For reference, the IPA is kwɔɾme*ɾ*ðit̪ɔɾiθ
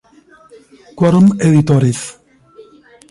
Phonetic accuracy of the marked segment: incorrect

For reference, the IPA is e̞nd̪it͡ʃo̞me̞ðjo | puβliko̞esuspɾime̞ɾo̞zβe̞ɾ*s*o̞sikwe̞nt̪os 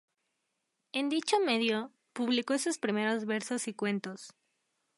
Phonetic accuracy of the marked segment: correct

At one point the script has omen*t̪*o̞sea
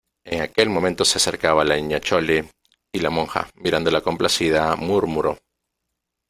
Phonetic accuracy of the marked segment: correct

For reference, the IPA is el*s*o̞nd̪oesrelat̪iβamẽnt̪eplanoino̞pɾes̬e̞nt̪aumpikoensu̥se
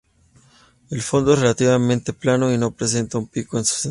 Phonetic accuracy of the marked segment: incorrect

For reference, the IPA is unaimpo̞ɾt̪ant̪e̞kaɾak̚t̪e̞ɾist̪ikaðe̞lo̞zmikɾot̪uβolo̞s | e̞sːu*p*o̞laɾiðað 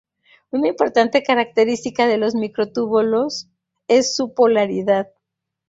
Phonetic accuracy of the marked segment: correct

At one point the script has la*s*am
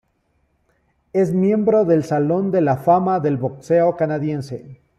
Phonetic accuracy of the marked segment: incorrect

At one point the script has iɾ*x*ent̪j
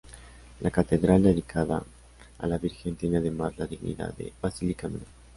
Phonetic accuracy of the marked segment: correct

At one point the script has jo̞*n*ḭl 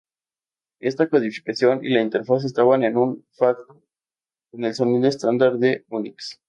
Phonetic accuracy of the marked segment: correct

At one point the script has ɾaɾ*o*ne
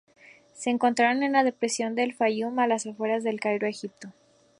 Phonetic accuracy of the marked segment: correct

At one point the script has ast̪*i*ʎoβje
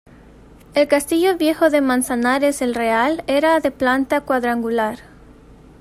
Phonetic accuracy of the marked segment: correct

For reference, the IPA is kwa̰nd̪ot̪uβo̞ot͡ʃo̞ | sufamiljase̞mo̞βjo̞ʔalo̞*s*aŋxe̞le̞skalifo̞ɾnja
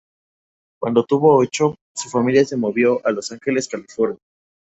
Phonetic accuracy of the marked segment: correct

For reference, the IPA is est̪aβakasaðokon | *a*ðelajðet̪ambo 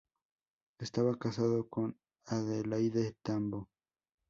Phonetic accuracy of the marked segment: correct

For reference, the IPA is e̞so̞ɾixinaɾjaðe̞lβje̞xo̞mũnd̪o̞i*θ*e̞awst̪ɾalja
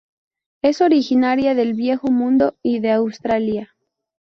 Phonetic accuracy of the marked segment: incorrect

